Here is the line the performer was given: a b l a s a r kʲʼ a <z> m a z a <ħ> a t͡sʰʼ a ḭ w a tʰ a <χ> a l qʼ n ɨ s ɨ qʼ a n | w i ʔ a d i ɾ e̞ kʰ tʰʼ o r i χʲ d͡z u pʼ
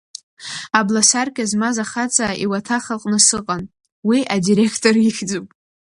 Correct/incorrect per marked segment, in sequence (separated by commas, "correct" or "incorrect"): correct, incorrect, correct